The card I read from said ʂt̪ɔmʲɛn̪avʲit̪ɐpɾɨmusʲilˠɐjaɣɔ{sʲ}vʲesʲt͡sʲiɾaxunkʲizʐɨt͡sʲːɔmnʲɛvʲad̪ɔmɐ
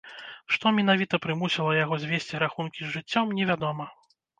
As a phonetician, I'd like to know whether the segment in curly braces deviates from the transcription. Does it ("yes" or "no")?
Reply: yes